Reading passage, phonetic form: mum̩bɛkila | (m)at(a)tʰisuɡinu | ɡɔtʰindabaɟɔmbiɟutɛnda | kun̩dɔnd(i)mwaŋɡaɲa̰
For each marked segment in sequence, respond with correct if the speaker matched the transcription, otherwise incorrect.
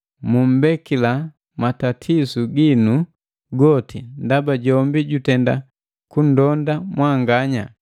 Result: correct, correct, incorrect

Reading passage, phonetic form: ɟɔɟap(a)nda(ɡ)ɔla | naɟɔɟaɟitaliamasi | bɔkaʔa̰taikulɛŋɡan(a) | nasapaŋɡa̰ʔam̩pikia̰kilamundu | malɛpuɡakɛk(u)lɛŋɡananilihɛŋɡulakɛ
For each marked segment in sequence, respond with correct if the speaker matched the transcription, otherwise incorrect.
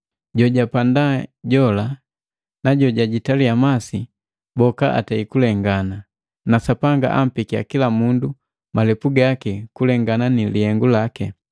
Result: correct, incorrect, correct, correct

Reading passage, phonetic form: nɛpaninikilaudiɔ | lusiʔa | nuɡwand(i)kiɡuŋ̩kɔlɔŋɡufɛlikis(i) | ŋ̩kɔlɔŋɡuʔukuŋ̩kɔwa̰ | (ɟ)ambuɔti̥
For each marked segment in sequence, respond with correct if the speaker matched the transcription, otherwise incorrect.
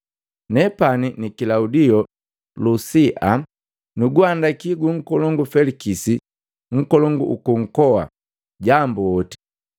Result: incorrect, correct, correct

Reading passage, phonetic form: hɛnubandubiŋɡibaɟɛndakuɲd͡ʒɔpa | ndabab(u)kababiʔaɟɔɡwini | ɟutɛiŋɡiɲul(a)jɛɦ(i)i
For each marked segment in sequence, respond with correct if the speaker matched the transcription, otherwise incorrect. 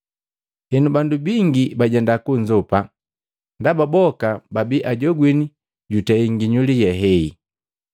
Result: incorrect, incorrect, incorrect

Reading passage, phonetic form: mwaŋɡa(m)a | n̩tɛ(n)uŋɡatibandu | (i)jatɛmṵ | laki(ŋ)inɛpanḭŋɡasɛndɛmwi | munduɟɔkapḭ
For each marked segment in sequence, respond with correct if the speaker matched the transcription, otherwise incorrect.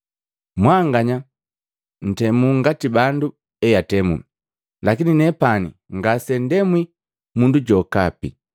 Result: incorrect, incorrect, incorrect, incorrect

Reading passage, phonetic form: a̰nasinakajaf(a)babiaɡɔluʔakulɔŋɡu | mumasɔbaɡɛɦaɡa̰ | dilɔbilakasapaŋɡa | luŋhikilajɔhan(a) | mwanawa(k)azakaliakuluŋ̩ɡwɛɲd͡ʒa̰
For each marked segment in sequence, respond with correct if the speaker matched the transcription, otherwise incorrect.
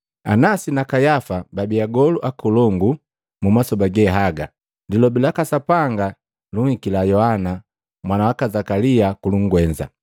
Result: correct, correct, correct

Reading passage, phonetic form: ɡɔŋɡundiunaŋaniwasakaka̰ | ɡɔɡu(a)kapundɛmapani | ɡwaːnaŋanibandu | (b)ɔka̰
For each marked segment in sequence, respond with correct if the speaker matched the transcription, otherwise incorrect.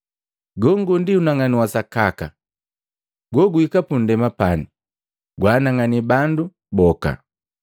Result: incorrect, correct

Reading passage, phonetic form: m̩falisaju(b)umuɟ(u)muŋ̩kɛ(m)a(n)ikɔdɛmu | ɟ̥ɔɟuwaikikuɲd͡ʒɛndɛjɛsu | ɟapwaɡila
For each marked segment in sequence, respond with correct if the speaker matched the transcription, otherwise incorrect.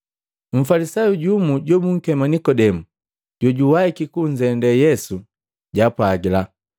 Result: incorrect, incorrect, correct, correct

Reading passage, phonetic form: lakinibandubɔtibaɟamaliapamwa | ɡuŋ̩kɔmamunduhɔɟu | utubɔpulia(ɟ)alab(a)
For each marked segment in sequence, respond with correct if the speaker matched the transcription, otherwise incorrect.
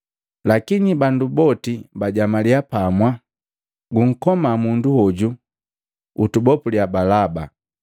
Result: incorrect, correct

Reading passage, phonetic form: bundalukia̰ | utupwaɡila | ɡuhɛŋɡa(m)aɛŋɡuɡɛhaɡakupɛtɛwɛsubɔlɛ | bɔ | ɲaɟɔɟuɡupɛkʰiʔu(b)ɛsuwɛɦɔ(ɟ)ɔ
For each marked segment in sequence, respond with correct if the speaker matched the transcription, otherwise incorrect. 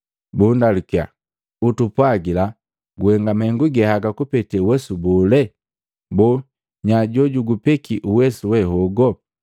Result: correct, incorrect, incorrect

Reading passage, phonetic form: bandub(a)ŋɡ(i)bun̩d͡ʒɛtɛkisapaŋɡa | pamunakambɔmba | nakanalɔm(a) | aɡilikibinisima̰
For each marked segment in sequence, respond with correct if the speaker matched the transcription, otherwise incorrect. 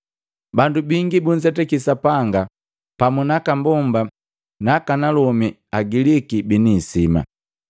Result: incorrect, correct, incorrect

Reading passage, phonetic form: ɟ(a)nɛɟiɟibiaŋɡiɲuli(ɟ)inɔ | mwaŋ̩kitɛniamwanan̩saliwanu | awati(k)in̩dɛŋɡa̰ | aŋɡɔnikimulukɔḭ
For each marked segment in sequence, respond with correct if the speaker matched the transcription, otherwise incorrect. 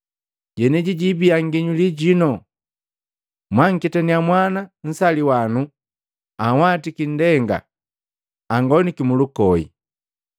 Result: incorrect, correct, correct

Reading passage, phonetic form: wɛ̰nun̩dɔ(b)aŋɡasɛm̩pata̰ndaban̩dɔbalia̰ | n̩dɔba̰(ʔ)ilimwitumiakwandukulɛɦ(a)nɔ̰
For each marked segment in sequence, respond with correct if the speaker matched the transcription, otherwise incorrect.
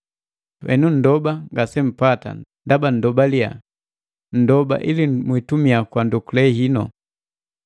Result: correct, correct, incorrect

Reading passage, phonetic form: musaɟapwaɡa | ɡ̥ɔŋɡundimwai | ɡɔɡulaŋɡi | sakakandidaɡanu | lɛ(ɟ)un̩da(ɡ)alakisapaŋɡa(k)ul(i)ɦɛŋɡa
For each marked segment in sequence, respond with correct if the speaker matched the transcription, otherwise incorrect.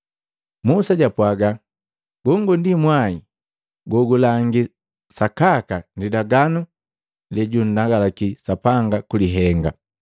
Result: correct, correct, correct, correct

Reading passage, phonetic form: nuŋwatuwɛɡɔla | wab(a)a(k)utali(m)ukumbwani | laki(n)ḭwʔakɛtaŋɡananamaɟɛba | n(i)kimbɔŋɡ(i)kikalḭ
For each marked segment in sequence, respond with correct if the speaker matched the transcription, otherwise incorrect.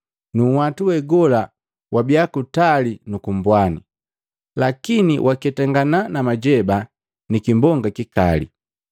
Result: incorrect, correct, incorrect, correct, correct, incorrect

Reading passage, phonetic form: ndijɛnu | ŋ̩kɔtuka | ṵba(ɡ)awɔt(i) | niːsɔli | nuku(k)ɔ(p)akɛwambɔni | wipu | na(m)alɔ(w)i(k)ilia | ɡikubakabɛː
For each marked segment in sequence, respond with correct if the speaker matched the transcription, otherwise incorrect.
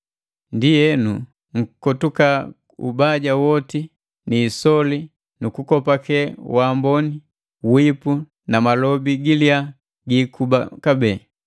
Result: incorrect, correct, correct, correct, correct, incorrect, incorrect

